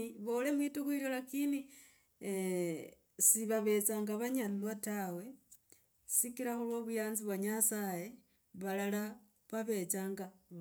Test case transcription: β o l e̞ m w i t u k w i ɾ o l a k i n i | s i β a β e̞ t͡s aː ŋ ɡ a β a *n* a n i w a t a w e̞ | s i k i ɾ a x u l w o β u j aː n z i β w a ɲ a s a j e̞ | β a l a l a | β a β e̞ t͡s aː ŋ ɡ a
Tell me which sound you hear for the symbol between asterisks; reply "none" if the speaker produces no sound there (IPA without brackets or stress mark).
ɲ